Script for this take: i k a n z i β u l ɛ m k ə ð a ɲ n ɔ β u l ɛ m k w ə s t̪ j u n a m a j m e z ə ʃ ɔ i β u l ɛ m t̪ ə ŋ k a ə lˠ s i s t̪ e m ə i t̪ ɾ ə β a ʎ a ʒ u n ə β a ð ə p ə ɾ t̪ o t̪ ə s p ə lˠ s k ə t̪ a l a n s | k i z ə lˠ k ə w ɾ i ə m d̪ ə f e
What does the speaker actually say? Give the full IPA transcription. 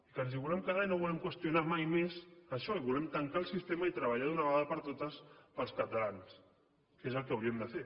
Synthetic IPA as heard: i k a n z i β u l ɛ m k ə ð a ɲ n o β u l ɛ m k w ə s t̪ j u n a m a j m e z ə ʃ ɔ i β u l ɛ m t̪ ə ŋ k a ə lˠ s i s t̪ e m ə i t̪ ɾ ə β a ʎ a ð u n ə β a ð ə p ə ɾ t̪ o t̪ ə s p ə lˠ s k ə t̪ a l a n s | k e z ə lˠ k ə w ɾ i ə m d̪ ə f e